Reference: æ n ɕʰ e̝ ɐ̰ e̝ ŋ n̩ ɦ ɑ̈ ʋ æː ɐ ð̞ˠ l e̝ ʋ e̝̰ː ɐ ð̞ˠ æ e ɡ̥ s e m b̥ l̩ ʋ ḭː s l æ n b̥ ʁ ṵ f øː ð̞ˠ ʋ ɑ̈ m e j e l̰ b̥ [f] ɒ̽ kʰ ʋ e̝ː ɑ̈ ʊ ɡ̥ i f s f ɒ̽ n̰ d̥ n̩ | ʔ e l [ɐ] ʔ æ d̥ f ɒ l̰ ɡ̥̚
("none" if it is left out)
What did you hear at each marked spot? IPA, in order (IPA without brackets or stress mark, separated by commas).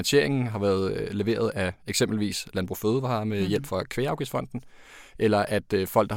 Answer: f, ɐ